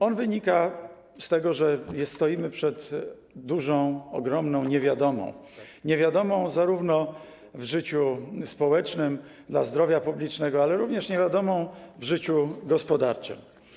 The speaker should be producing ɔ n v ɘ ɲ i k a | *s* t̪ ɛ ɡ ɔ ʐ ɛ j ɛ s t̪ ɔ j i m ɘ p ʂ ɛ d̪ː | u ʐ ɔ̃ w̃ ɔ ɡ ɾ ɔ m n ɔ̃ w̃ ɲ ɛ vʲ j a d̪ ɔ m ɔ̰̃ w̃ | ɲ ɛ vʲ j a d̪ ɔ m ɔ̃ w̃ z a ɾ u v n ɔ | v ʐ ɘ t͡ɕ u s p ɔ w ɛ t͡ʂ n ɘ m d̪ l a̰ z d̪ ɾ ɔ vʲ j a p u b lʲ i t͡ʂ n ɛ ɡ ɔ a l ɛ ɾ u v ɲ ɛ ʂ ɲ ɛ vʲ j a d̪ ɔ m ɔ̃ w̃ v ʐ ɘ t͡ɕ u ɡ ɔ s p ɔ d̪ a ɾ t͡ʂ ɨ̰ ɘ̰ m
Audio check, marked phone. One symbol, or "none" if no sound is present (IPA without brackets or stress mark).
s